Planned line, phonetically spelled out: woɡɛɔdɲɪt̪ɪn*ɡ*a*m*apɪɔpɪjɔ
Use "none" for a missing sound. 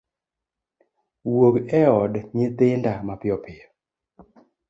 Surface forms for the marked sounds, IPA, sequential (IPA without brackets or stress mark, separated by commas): d, m